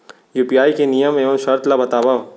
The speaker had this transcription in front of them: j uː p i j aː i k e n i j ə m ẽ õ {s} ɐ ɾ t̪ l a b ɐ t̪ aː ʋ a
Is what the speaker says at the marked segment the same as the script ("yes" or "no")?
no